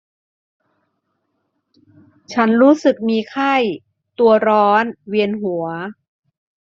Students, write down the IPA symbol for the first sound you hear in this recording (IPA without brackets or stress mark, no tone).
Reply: t͡ɕʰ